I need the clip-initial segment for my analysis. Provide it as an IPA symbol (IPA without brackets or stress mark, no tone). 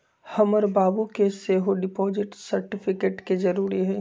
h